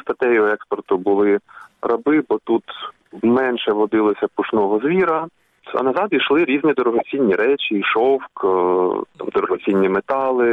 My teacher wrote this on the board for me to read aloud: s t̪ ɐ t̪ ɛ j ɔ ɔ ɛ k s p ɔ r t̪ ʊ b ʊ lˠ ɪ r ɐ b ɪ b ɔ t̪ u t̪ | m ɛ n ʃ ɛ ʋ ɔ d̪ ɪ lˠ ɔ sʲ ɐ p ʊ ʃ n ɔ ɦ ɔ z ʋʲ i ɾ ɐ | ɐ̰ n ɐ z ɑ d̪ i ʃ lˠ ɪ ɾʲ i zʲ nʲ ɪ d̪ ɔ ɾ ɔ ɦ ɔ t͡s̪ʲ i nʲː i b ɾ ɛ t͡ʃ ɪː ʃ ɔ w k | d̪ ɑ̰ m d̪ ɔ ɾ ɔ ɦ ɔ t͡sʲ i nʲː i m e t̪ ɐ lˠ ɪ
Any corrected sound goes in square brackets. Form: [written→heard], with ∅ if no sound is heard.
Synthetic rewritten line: s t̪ ɐ t̪ ɛ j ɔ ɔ ɛ k s p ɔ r t̪ ʊ b ʊ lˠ ɪ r ɐ b ɪ b ɔ t̪ u t̪ | m ɛ n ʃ ɛ ʋ ɔ d̪ ɪ lˠ ɔ sʲ ɐ p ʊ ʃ n ɔ ɦ ɔ z ʋʲ i ɾ ɐ | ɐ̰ n ɐ z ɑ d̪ i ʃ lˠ ɪ ɾʲ i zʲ nʲ [ɪ→i] d̪ ɔ ɾ ɔ ɦ ɔ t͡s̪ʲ i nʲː i [b→∅] ɾ ɛ t͡ʃ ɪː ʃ ɔ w k | [d̪→t̪] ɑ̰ m d̪ ɔ ɾ ɔ ɦ ɔ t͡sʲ i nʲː i m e t̪ [ɐ→ɑ] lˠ ɪ